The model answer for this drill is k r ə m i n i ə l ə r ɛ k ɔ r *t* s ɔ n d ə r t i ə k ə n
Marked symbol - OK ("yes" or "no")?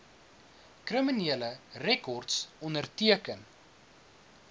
yes